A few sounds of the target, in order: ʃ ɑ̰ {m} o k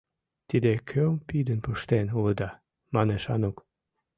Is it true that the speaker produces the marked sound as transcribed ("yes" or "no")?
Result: no